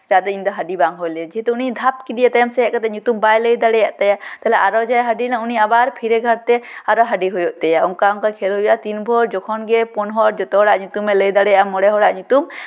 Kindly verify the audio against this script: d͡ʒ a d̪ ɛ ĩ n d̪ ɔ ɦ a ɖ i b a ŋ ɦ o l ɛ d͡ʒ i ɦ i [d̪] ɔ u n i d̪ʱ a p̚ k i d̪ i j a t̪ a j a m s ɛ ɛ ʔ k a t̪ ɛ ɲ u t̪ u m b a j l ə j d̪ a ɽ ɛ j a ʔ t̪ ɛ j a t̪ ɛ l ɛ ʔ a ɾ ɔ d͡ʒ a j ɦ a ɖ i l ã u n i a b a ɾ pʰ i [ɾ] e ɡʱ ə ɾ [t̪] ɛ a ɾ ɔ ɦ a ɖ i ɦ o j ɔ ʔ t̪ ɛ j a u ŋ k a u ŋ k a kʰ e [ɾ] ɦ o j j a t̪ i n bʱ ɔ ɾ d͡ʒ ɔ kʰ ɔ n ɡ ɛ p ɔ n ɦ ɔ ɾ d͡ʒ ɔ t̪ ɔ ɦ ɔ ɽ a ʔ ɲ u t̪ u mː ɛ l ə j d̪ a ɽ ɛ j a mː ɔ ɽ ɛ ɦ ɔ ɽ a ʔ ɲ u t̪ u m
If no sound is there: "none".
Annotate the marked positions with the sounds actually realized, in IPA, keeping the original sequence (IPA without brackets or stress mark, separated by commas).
t̪, ɾ, t̪, l